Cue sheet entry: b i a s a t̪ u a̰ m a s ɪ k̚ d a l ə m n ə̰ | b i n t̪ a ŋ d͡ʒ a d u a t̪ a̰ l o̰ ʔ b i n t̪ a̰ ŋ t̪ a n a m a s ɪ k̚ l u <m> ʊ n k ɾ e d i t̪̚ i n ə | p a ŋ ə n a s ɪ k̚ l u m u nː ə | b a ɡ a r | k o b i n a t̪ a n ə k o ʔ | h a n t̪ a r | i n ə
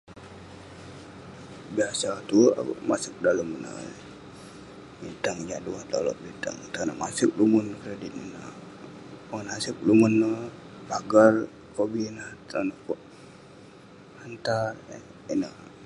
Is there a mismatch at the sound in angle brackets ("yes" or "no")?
no